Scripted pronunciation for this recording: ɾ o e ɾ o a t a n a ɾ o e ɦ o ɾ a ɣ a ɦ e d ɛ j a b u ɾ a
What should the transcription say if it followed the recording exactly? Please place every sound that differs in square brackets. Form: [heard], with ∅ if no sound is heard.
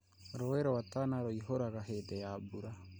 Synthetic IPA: ɾ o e ɾ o a t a n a ɾ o [i] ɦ o ɾ a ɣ a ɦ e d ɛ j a b u ɾ a